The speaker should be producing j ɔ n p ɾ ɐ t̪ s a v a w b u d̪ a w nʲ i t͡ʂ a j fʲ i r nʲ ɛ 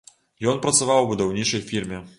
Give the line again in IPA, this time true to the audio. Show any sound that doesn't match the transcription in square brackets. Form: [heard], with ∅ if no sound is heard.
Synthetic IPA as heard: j ɔ n p ɾ ɐ t̪ s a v a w b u d̪ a w nʲ i t͡ʂ [ɐ] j fʲ i r [mʲ] ɛ